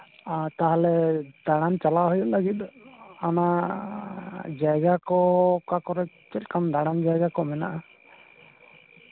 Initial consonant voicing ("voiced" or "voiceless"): voiceless